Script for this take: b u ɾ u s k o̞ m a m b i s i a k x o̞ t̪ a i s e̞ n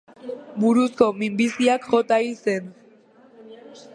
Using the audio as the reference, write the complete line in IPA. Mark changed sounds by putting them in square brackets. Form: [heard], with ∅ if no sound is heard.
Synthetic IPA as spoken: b u ɾ u s k o̞ m [i] m b i s i a k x o̞ t̪ a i s e̞ n